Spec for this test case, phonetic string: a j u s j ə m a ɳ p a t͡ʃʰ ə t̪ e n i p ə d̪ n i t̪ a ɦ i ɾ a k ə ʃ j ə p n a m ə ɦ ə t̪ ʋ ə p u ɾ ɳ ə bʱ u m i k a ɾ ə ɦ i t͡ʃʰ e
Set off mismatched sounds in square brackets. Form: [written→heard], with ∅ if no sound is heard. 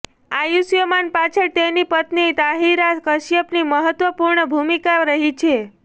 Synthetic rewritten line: a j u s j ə m a [ɳ→n] p a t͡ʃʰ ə t̪ e n i p ə [d̪→t̪] n i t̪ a ɦ i ɾ a k ə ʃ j ə p n [a→i] m ə ɦ ə t̪ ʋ ə p u ɾ ɳ ə bʱ u m i k a ɾ ə ɦ i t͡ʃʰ e